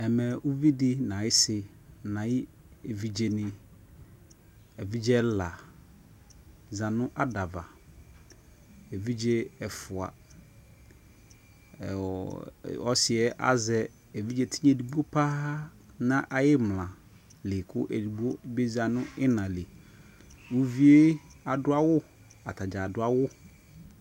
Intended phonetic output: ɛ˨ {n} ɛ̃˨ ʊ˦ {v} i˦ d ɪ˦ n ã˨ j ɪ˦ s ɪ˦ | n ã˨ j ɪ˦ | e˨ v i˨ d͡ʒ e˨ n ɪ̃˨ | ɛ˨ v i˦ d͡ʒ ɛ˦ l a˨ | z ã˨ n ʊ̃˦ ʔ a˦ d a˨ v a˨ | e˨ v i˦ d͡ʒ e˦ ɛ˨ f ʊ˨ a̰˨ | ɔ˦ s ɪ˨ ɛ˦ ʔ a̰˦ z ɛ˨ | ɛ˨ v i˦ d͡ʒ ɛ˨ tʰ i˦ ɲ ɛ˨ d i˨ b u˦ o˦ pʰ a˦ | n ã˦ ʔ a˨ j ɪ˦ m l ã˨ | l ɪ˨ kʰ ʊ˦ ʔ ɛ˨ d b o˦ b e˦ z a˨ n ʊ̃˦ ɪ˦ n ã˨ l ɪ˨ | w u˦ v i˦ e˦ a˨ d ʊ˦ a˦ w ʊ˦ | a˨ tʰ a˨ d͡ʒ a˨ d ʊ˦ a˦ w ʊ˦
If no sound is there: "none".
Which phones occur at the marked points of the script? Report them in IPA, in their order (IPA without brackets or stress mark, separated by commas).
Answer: m, v